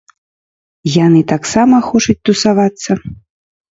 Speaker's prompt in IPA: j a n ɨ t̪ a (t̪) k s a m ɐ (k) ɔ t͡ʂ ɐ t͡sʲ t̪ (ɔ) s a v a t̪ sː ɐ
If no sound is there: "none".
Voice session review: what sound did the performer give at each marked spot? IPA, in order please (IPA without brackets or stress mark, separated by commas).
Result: none, x, u